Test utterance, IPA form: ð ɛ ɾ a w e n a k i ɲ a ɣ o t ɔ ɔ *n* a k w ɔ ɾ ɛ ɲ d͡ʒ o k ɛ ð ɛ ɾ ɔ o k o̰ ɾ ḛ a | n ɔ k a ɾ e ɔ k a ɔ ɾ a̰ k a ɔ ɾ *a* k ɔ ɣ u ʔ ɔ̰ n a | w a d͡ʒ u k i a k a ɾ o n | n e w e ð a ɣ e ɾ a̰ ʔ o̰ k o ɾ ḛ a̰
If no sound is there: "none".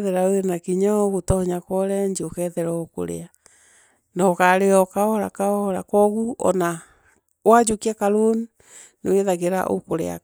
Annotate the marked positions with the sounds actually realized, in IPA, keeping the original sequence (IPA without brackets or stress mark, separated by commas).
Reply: ɲ, a